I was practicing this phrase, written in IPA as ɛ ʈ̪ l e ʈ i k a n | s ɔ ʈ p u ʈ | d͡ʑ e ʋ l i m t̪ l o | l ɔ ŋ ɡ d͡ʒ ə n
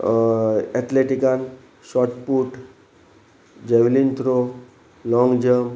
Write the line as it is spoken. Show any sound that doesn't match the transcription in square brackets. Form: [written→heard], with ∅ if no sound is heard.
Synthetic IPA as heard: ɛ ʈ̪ l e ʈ i k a n | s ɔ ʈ p u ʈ | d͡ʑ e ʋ l i [m→n] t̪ [l→ɾ] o | l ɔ ŋ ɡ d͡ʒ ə [n→m]